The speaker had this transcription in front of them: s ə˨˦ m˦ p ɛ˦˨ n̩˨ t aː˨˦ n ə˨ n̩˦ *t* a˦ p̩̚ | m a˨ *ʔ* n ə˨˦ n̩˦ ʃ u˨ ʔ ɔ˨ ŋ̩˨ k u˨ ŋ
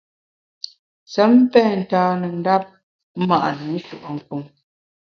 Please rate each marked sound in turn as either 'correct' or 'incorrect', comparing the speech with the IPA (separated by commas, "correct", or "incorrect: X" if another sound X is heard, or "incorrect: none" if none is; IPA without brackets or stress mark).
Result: incorrect: d, correct